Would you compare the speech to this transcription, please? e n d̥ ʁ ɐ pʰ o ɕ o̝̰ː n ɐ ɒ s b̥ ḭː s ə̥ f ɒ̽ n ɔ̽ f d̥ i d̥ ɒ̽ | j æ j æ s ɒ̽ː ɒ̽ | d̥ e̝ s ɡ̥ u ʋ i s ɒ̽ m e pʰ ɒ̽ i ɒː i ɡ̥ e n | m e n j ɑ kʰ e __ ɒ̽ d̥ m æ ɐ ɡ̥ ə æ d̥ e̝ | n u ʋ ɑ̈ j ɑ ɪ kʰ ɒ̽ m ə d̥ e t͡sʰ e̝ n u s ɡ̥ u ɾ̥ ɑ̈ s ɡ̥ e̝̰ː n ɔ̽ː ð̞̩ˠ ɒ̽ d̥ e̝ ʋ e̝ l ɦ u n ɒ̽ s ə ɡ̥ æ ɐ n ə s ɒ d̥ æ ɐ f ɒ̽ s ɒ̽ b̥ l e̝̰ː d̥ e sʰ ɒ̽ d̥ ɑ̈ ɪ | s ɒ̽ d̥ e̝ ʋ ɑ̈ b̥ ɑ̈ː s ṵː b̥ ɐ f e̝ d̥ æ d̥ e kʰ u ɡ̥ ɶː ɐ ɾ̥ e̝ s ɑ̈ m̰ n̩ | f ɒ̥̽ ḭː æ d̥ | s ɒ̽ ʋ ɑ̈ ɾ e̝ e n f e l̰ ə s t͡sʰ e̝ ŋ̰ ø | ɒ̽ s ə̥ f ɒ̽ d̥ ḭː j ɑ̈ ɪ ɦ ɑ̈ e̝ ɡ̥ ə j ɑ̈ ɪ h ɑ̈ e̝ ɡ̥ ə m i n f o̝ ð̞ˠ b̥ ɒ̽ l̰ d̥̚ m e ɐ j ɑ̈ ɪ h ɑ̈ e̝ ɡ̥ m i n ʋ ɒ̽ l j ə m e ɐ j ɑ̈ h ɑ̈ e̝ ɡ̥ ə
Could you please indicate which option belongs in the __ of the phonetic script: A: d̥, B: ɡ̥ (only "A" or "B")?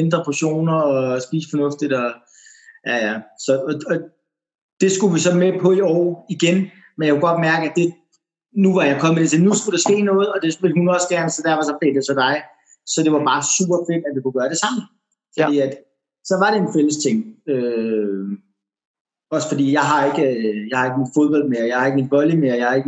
B